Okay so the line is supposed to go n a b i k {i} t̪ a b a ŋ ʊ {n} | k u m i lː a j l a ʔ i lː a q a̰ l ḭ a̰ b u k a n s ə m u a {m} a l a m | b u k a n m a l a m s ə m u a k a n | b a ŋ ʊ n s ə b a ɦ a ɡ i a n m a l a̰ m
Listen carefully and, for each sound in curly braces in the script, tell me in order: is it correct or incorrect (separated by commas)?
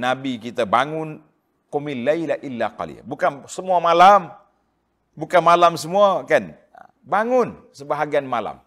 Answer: correct, correct, correct